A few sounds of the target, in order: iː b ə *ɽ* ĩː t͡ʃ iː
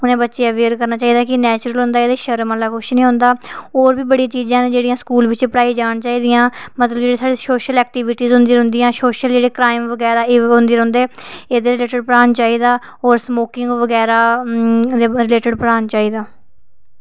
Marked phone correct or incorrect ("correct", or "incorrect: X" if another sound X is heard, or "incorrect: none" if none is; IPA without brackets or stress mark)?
correct